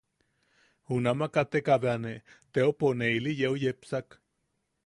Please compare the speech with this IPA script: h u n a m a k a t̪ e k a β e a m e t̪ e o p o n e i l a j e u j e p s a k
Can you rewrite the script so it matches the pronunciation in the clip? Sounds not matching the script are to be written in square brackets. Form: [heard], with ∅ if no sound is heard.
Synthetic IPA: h u n a m a k a t̪ e k a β e a [n] e t̪ e o p o n e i l [i] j e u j e p s a k